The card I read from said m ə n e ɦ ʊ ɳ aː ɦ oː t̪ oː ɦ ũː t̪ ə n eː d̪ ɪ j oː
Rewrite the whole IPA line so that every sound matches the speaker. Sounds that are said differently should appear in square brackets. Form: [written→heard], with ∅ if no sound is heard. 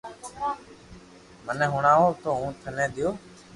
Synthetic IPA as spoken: m ə n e ɦ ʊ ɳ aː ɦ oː t̪ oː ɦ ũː [t̪→t̪ʰ] ə n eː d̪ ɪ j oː